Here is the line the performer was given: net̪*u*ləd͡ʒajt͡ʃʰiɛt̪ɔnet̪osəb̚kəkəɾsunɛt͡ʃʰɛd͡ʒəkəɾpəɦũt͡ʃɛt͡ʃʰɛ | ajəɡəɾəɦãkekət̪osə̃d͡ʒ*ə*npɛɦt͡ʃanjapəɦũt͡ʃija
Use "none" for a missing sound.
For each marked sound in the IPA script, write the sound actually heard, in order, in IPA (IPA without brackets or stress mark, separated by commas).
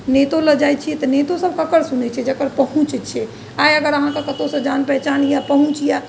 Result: o, a